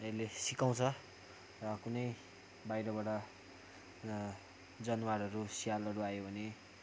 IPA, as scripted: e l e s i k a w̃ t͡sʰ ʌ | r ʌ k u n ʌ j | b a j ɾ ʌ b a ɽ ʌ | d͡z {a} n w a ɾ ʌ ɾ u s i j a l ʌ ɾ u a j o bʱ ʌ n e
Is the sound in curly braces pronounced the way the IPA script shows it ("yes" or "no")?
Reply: no